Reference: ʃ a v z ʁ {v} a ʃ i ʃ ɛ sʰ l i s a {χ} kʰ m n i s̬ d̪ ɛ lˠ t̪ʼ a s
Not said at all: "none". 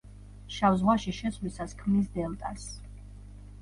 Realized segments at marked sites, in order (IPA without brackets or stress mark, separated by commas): w, s